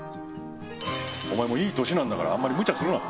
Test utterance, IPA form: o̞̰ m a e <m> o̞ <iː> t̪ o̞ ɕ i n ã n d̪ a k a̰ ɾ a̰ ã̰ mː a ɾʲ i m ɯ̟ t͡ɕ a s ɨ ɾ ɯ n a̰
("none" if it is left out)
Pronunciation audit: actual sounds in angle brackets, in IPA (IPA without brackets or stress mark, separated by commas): m, iː